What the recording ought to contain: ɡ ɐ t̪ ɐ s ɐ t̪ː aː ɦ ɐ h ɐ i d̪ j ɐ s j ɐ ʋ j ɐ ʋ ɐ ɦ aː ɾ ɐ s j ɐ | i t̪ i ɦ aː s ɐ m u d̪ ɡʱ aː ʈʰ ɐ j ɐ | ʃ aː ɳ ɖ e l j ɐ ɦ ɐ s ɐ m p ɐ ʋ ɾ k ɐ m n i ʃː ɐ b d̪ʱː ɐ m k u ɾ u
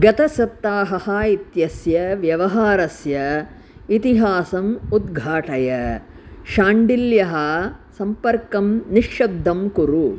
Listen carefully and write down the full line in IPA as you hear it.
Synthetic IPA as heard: ɡ ɐ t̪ ɐ s ɐ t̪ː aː ɦ ɐ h ɐ i t̪ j ɐ s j ɐ ʋ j ɐ ʋ ɐ ɦ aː ɾ ɐ s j ɐ | i t̪ i ɦ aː s ɐ m u d̪ ɡʱ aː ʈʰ ɐ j ɐ | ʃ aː ɳ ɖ i l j ɐ ɦ ɐ s ɐ m p ɐ ɾ k ɐ m n i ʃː ɐ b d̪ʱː ɐ m k u ɾ u

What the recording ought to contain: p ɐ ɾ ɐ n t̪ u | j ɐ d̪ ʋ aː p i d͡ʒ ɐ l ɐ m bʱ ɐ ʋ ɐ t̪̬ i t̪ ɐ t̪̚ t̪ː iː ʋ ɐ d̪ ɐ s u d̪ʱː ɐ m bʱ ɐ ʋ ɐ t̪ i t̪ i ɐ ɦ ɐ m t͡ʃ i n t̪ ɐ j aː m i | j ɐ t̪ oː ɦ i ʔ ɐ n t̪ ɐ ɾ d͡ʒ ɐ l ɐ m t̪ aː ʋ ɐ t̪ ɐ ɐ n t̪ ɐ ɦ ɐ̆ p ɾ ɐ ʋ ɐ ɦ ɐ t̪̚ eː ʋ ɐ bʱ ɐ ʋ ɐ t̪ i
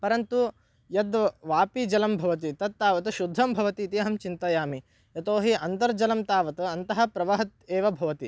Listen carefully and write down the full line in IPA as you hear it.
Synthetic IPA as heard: p ɐ ɾ ɐ n t̪ u | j ɐ d̪ ʋ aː p i d͡ʒ ɐ l ɐ m bʱ ɐ ʋ ɐ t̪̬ i t̪ ɐ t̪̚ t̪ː aː ʋ ɐ t̪ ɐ ʃ u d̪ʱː ɐ m bʱ ɐ ʋ ɐ t̪ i t̪ i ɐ ɦ ɐ m t͡ʃ i n t̪ ɐ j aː m i | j ɐ t̪ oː ɦ i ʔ ɐ n t̪ ɐ ɾ d͡ʒ ɐ l ɐ m t̪ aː ʋ ɐ t̪ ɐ ɐ n t̪ ɐ ɦ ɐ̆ p ɾ ɐ ʋ ɐ ɦ ɐ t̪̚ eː ʋ ɐ bʱ ɐ ʋ ɐ t̪ i

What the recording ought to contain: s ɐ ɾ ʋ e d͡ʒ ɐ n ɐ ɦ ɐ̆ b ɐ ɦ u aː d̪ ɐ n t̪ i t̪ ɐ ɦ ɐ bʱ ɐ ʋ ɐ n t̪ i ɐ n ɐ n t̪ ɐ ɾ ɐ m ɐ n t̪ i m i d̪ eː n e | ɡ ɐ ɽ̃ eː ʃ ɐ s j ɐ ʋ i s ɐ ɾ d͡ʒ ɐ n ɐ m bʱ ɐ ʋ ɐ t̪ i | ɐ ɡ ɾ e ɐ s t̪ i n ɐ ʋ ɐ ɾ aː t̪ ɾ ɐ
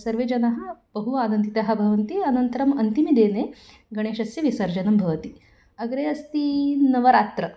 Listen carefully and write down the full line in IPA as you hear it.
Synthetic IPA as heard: s ɐ ɾ ʋ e d͡ʒ ɐ n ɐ ɦ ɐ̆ b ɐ ɦ u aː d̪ ɐ n t̪ i t̪ ɐ ɦ ɐ bʱ ɐ ʋ ɐ n t̪ i ɐ n ɐ n t̪ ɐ ɾ ɐ m ɐ n t̪ i m i d̪ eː n e | ɡ ɐ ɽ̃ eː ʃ ɐ s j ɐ ʋ i s ɐ ɾ d͡ʒ ɐ n ɐ m bʱ ɐ ʋ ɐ t̪ i | ɐ ɡ ɾ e ɐ s t̪ i n ɐ ʋ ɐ ɾ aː t̪ ɾ ɐ

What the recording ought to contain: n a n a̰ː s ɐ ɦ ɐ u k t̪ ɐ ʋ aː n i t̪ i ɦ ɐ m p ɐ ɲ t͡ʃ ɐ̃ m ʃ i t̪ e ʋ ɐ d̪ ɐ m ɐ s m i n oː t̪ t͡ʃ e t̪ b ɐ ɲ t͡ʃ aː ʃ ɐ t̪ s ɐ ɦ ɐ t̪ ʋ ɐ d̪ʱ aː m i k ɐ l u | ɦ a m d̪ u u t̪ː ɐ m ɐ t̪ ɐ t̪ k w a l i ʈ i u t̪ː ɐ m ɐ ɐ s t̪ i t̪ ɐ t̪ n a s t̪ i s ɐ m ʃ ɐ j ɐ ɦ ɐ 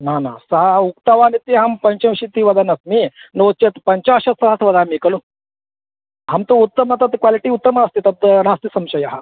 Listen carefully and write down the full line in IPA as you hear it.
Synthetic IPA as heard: n a n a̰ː s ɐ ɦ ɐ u k t̪ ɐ ʋ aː n i t̪ i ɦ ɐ m p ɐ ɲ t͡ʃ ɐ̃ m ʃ i t̪ i ʋ ɐ d̪ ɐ n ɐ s m i n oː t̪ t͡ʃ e t̪ p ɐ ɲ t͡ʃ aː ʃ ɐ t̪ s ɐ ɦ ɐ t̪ ʋ ɐ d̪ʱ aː m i k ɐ l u | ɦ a m t̪ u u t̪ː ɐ m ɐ t̪ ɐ t̪ k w a l i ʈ i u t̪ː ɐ m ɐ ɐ s t̪ i t̪ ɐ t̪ n a s t̪ i s ɐ m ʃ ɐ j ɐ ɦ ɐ

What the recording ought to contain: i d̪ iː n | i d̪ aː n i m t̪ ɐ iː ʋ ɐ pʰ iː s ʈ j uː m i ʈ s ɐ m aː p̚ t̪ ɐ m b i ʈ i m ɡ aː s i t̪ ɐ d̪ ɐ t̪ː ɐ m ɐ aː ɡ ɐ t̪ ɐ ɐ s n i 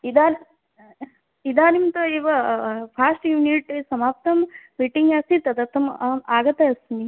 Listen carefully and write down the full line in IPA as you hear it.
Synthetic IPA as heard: i d̪ aː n | i d̪ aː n i m t̪ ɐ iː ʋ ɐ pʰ aː s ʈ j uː n i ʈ s ɐ m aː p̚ t̪ ɐ m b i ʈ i ŋ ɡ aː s i t̪ ɐ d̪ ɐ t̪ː ɐ m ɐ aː ɡ ɐ t̪ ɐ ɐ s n i

